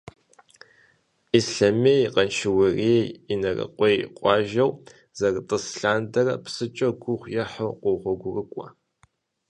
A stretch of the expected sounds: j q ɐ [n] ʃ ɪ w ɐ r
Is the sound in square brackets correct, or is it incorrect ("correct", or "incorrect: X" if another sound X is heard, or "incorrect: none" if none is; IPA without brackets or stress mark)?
correct